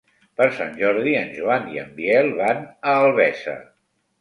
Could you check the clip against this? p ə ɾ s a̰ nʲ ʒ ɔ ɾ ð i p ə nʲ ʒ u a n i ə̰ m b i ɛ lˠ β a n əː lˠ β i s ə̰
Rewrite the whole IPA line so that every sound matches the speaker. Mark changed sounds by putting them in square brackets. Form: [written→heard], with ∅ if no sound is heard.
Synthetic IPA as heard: p ə ɾ s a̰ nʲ ʒ ɔ ɾ ð i [p→∅] ə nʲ ʒ u a n i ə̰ m b i ɛ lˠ β a n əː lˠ β [i→ɛ] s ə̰